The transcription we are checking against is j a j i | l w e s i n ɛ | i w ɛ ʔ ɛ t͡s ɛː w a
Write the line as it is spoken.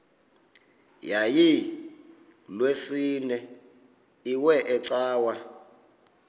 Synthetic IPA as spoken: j a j i | l w e s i n ɛ | i w ɛ ʔ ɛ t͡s aː w a